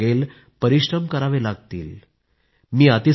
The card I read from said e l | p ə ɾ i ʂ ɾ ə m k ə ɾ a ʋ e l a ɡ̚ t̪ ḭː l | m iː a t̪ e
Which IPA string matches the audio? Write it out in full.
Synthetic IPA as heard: e l | p ə ɾ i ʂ ɾ ə m k ə ɾ a ʋ e l a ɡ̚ t̪ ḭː l | m iː a t̪ i